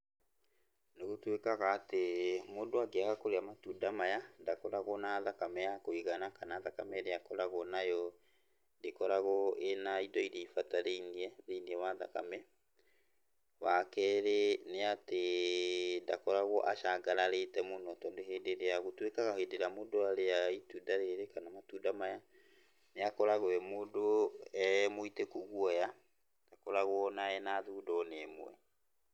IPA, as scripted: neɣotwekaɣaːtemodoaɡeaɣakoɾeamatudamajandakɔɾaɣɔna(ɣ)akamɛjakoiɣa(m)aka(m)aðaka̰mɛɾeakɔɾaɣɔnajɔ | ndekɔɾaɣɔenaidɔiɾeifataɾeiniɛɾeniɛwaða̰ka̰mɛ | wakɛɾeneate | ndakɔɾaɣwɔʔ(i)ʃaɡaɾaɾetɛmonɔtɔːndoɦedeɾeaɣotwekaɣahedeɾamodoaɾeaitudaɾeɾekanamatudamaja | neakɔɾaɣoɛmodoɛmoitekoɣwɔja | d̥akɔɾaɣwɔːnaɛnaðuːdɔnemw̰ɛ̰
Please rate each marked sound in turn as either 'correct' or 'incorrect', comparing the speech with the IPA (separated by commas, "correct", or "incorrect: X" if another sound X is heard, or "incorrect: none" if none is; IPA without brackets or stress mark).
incorrect: ð, incorrect: n, incorrect: n, incorrect: a